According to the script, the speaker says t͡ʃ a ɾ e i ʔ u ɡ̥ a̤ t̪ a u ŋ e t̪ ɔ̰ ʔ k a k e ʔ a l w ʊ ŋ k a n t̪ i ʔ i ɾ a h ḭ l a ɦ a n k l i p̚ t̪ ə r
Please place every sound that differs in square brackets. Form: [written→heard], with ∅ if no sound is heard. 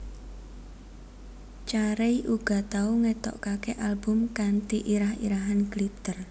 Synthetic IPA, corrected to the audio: t͡ʃ a ɾ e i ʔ u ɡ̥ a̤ t̪ a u ŋ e t̪ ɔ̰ ʔ k a k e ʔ a l [w→b] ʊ [ŋ→m] k a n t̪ i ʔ i ɾ a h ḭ [l→ɾ] a ɦ a n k l i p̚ t̪ ə r